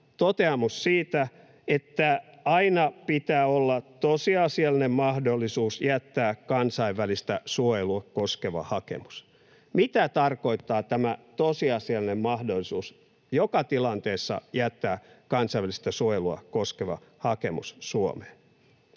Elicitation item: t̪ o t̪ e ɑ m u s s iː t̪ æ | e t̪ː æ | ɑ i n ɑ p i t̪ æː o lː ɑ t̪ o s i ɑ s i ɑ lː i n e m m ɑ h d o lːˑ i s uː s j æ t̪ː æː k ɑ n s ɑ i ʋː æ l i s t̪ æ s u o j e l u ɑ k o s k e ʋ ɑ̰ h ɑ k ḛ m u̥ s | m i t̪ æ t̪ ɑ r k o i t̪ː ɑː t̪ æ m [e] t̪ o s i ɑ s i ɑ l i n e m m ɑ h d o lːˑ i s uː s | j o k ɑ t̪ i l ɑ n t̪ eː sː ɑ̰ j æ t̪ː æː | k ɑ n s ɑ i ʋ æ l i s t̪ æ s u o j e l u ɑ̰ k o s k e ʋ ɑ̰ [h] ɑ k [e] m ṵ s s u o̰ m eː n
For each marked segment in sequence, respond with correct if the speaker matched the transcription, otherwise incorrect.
incorrect: æ, correct, correct

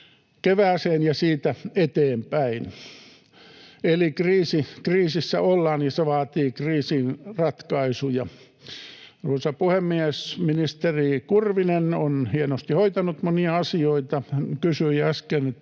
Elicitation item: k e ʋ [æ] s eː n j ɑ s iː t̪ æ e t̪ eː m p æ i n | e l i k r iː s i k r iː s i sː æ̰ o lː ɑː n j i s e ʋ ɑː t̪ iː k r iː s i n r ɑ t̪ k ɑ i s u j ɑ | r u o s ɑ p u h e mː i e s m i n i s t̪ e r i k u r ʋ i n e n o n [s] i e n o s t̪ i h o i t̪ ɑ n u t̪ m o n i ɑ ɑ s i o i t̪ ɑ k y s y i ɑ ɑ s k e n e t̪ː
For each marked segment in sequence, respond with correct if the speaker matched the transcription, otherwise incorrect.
incorrect: æː, incorrect: h

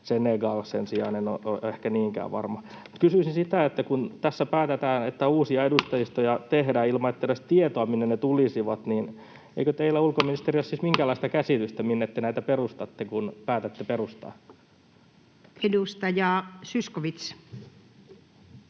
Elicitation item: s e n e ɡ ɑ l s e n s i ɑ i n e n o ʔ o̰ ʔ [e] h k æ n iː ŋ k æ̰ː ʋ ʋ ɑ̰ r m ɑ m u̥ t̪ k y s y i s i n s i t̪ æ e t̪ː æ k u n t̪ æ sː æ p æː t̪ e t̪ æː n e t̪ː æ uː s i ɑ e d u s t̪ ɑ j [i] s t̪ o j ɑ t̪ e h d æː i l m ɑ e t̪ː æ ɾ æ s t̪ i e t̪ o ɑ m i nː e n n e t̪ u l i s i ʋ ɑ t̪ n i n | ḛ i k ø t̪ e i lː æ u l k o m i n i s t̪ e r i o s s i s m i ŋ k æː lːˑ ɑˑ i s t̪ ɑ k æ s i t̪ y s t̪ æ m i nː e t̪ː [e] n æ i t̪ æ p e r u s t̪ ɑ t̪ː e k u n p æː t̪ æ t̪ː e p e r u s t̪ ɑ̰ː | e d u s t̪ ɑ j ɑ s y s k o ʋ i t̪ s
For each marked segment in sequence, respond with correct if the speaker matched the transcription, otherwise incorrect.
correct, correct, correct

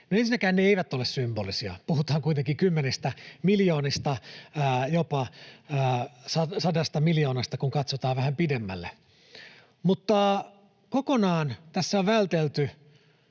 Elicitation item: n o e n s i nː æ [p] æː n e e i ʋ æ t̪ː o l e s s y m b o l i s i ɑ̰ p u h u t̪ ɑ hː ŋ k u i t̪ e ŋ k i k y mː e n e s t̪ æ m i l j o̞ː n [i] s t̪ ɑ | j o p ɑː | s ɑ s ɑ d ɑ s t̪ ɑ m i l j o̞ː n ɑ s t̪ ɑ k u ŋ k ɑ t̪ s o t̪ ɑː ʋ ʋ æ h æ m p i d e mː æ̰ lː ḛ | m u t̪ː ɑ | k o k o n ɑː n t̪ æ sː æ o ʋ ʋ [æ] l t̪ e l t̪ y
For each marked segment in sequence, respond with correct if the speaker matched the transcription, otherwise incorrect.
incorrect: k, correct, correct

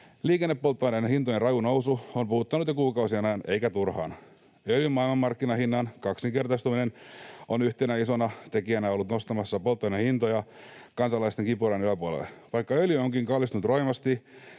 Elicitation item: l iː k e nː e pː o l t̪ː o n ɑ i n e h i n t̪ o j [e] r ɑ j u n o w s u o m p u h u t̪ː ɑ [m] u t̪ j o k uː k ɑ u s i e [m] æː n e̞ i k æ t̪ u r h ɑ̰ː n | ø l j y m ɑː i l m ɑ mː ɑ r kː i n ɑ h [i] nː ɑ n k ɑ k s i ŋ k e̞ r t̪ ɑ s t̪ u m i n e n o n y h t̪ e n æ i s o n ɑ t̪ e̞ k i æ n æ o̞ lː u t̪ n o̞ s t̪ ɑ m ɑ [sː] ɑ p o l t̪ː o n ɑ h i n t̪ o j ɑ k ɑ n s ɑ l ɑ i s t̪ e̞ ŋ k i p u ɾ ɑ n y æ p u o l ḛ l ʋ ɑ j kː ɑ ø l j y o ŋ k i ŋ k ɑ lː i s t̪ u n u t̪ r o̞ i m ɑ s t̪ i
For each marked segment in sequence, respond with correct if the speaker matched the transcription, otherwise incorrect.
correct, incorrect: n, incorrect: n, correct, correct

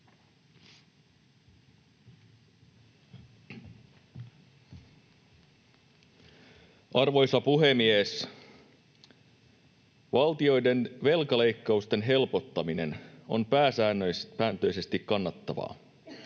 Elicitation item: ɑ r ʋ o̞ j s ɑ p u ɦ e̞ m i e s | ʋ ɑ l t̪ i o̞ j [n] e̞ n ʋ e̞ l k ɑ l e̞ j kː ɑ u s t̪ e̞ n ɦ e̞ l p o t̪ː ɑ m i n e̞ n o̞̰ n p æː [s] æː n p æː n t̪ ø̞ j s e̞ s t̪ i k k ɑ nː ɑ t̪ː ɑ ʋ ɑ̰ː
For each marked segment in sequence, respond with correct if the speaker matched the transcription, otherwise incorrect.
incorrect: d, correct

